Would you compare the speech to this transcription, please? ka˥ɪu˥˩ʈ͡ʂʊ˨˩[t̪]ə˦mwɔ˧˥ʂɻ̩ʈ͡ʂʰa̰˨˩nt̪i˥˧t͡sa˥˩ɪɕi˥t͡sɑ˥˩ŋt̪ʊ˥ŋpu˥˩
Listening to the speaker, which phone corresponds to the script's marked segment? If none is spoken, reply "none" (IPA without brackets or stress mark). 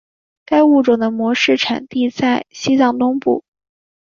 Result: d̪